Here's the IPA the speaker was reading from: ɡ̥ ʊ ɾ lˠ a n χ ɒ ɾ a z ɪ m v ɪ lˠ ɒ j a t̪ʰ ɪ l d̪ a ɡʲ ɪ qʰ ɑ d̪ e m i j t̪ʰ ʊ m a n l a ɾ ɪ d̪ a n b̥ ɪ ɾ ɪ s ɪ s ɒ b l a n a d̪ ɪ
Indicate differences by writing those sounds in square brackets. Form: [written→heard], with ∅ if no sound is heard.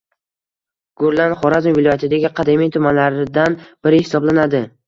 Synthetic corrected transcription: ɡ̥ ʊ ɾ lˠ a n χ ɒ ɾ a z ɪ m v ɪ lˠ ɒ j a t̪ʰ ɪ [l→∅] d̪ a ɡʲ ɪ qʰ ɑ d̪ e m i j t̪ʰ ʊ m a n l a ɾ ɪ d̪ a n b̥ ɪ ɾ ɪ [s→h] ɪ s ɒ b l a n a d̪ ɪ